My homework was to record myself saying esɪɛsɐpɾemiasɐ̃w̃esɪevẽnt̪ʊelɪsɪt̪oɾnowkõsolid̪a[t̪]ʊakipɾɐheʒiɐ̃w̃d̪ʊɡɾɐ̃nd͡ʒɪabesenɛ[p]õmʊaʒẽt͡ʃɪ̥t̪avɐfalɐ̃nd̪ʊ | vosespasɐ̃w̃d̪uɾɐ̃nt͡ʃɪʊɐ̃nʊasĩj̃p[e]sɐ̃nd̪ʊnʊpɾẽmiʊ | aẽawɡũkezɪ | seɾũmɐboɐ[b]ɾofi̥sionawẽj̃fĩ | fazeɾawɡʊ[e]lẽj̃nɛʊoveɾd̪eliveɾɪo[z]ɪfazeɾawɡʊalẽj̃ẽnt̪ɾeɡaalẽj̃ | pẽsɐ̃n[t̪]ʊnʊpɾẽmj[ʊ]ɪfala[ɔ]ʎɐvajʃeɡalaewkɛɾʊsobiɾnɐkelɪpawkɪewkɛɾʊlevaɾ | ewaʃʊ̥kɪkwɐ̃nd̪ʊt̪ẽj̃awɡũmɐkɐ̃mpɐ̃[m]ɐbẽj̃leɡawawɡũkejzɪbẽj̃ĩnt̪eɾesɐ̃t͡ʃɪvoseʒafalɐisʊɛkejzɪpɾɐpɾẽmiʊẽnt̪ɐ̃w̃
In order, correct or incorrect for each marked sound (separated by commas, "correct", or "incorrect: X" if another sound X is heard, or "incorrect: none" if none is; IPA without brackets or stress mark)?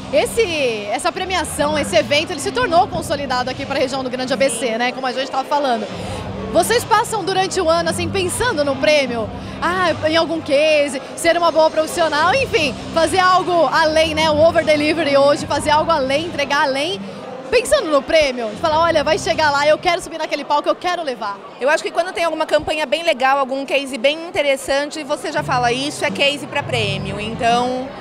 incorrect: d̪, incorrect: k, incorrect: ẽ, incorrect: p, incorrect: a, incorrect: ʒ, incorrect: d̪, correct, correct, incorrect: ɲ